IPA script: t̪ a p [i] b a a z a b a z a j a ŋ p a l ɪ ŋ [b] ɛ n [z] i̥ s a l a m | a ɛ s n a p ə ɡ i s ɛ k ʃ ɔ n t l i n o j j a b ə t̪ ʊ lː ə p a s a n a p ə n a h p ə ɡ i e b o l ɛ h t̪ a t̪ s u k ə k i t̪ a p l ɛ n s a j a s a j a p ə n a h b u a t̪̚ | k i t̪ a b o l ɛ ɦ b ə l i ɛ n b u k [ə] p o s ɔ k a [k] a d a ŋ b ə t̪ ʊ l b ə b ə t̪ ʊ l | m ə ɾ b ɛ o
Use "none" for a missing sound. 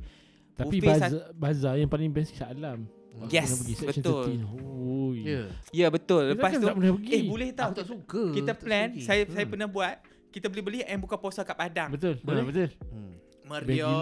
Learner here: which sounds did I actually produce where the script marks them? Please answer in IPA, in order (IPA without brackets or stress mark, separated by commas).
i, b, s, a, p